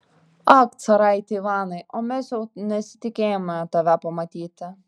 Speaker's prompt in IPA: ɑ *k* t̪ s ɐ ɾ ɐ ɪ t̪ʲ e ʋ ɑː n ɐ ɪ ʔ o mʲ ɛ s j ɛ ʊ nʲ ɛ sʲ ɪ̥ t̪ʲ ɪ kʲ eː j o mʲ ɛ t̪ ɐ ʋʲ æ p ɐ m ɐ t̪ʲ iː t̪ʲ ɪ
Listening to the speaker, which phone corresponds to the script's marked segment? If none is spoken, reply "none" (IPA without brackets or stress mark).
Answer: k